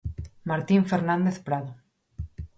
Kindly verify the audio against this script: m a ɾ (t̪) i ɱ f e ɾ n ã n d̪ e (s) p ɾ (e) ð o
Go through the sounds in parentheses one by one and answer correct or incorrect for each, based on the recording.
correct, incorrect: θ, incorrect: a

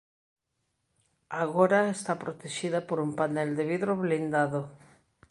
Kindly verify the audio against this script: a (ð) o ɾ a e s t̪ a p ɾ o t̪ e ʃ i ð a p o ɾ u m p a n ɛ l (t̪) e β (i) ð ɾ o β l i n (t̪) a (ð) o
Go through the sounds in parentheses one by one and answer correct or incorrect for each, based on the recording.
incorrect: ɣ, incorrect: d̪, correct, incorrect: d̪, correct

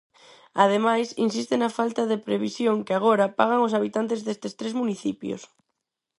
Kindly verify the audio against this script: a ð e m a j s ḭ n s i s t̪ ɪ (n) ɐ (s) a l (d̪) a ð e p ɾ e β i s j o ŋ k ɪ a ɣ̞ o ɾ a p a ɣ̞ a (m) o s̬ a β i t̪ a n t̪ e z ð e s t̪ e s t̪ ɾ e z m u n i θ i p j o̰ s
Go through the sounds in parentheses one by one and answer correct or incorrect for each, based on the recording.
correct, incorrect: f, incorrect: t̪, incorrect: ŋ

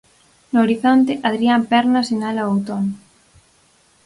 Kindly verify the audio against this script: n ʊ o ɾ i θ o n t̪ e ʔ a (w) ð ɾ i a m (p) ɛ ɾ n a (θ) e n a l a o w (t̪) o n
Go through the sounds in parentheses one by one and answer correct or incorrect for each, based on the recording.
incorrect: none, correct, incorrect: s, correct

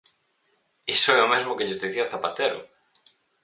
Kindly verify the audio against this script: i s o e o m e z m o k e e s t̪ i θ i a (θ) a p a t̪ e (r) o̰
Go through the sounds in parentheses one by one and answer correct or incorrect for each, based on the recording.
correct, incorrect: ɾ

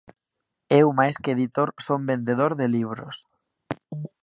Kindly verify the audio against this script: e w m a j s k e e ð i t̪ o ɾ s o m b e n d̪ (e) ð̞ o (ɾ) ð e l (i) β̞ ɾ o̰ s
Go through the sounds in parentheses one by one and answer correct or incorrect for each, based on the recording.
correct, correct, correct

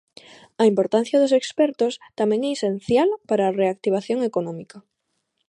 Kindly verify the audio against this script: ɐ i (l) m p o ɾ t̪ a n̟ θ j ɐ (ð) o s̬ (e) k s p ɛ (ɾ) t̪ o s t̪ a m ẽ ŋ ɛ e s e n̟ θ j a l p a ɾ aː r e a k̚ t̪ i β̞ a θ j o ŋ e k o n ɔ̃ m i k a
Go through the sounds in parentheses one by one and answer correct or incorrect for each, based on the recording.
incorrect: none, correct, correct, correct

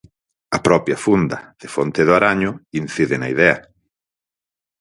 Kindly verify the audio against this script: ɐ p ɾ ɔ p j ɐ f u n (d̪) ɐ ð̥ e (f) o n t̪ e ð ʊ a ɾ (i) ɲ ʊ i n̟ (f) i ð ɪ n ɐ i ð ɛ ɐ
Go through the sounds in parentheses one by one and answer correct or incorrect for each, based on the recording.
correct, correct, incorrect: a, incorrect: θ

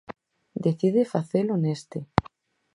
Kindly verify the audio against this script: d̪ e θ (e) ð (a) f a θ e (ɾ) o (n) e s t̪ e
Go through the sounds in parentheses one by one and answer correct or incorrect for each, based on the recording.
incorrect: i, incorrect: e, incorrect: l, correct

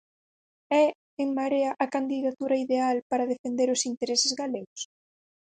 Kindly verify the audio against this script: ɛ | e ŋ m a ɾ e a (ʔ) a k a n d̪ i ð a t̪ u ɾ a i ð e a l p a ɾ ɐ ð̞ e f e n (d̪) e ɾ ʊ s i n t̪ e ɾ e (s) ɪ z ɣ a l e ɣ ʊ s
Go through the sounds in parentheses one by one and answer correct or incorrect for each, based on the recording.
correct, correct, correct

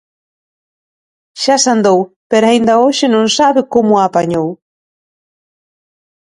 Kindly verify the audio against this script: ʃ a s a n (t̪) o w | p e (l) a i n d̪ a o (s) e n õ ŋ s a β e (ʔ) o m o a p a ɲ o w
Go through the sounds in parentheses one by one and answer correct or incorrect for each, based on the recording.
incorrect: d̪, incorrect: ɾ, incorrect: ʃ, incorrect: k

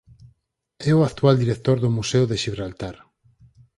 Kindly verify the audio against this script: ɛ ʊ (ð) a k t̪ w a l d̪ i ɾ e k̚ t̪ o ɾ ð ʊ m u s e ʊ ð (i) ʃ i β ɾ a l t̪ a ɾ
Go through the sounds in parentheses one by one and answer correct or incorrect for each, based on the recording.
incorrect: none, incorrect: e

